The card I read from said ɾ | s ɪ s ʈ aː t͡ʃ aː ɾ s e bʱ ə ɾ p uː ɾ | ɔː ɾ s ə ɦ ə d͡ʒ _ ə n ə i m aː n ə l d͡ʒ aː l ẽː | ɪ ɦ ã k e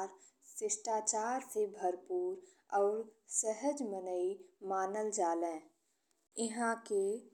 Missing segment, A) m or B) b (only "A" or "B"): A